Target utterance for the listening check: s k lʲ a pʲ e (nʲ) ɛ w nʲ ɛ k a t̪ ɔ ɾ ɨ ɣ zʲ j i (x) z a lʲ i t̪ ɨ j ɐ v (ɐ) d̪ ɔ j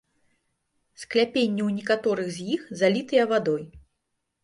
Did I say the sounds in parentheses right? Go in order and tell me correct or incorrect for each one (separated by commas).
incorrect, correct, incorrect